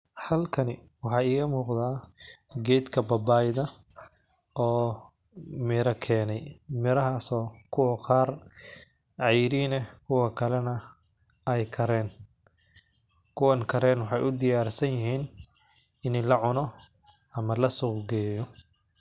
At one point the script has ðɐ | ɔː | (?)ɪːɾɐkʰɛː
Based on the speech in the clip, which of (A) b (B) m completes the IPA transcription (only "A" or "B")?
B